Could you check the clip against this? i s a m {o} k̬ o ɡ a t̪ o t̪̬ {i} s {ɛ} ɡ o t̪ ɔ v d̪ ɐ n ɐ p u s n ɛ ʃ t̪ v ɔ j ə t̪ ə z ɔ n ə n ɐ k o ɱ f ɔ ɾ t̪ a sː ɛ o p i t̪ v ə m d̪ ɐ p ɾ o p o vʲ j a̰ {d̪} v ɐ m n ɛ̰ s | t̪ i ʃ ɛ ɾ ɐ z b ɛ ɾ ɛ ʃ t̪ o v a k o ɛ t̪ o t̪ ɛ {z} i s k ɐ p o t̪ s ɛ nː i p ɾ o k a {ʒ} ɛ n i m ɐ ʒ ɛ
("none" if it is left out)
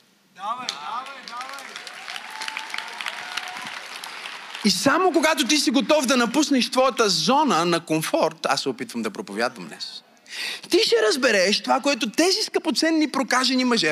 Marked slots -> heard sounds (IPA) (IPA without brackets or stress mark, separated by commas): o, i, i, d̪, z, ʒ